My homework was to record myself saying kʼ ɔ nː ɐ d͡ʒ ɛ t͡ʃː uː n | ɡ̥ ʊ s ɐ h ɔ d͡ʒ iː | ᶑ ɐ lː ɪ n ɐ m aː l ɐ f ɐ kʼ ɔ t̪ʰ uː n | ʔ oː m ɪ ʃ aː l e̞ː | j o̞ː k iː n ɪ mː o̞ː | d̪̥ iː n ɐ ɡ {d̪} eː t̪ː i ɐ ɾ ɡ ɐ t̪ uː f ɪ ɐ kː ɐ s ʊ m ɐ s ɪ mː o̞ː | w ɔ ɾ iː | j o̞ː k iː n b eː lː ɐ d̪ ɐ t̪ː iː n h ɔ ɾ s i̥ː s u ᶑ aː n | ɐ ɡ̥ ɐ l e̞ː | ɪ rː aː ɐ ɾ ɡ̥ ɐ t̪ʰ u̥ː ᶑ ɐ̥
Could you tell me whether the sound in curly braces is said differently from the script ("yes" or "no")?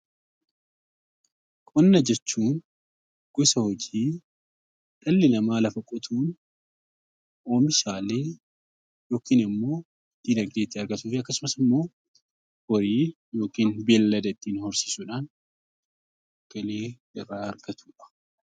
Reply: no